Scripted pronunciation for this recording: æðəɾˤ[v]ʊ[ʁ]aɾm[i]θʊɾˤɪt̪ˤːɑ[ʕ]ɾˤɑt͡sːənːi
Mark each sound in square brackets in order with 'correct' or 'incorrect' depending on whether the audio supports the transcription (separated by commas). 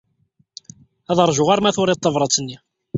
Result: incorrect, correct, incorrect, incorrect